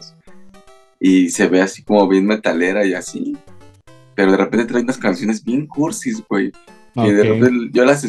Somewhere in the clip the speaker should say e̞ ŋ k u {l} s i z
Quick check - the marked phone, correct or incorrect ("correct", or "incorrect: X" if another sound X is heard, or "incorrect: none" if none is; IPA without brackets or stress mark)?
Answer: incorrect: ɾ